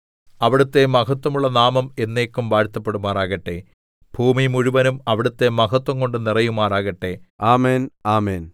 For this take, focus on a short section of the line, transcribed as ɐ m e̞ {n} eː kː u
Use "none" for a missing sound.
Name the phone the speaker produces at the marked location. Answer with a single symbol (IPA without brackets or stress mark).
nː